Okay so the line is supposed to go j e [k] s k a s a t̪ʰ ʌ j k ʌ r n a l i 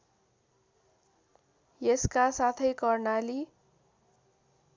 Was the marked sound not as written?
yes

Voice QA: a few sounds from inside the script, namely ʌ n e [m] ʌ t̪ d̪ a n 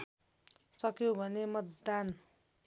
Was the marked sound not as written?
no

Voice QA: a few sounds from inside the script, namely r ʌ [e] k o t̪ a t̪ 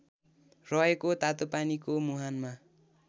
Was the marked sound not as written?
no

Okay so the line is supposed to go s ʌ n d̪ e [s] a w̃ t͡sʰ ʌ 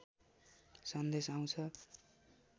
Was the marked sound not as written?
no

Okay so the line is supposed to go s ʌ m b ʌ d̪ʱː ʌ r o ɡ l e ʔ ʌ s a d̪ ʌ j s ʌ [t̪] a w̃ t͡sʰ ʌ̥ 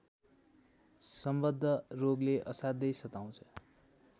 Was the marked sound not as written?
no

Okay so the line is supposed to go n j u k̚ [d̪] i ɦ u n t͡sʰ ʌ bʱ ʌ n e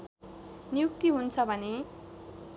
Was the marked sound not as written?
yes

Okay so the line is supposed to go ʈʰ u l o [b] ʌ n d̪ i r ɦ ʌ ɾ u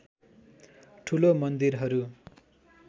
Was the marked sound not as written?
yes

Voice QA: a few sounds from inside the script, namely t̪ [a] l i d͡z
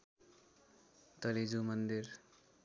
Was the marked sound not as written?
yes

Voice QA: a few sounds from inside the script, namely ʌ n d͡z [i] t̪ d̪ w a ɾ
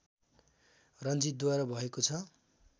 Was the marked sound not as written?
no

